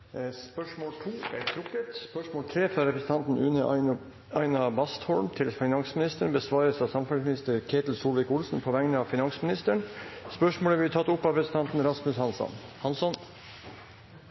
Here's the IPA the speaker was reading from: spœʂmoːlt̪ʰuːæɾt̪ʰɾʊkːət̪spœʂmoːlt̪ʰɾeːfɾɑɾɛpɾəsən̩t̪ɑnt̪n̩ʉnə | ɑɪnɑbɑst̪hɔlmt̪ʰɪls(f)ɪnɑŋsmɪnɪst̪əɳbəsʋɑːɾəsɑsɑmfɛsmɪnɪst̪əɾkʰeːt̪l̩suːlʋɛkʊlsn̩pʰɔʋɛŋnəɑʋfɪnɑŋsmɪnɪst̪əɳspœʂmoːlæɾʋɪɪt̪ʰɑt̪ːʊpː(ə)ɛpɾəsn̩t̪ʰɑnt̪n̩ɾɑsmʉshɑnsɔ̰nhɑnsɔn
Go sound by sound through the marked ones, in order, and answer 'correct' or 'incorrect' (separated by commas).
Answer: correct, incorrect